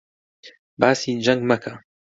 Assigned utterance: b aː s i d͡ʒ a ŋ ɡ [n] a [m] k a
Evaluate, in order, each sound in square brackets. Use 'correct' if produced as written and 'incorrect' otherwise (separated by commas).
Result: incorrect, incorrect